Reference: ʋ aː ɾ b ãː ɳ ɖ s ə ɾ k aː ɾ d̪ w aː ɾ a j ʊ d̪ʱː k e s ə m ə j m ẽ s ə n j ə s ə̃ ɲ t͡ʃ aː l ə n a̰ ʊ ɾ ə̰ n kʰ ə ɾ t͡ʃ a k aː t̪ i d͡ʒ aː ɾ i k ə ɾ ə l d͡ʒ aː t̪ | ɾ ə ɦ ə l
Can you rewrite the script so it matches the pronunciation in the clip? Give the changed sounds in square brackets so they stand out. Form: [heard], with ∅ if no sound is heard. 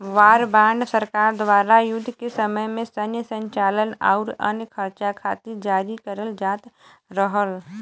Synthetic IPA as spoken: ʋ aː ɾ b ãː ɳ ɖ s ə ɾ k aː ɾ d̪ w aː ɾ a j ʊ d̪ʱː k e s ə m ə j m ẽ s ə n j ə s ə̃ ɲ t͡ʃ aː l ə n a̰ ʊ ɾ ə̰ n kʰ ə ɾ t͡ʃ a [kʰ] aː t̪ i d͡ʒ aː ɾ i k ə ɾ ə l d͡ʒ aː t̪ | ɾ ə ɦ ə l